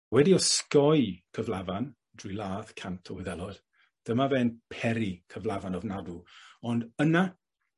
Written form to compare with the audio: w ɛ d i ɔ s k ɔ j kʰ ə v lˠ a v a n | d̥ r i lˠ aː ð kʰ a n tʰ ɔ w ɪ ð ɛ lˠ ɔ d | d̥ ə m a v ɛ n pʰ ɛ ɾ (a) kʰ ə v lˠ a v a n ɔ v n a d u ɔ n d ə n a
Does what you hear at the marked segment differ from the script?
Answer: yes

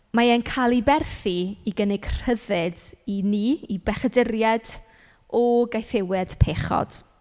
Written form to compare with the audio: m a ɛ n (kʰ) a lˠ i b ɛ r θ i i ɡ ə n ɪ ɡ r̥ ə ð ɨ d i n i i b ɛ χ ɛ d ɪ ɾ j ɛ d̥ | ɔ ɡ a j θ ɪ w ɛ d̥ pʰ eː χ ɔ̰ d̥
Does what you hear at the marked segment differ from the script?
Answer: no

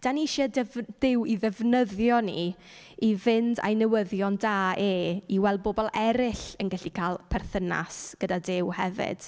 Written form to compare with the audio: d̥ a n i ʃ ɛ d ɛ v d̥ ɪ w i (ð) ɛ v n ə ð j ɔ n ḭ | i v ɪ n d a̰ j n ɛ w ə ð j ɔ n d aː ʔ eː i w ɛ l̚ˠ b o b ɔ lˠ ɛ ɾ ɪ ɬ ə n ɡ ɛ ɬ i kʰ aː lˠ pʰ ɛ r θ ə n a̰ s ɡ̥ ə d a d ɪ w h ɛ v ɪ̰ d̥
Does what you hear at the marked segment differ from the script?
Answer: no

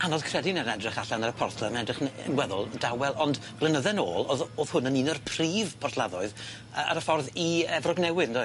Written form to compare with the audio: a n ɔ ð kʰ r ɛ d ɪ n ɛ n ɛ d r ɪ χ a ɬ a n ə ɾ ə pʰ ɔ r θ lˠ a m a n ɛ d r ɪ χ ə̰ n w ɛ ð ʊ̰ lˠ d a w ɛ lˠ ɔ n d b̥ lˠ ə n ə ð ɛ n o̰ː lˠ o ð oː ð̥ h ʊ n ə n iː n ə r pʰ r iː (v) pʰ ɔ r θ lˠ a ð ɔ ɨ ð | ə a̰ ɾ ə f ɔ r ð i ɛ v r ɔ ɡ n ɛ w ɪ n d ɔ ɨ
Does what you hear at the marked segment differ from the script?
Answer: no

